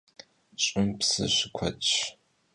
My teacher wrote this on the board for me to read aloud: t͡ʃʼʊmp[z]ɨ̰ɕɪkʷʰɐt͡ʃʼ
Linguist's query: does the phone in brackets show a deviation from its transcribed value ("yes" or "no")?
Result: yes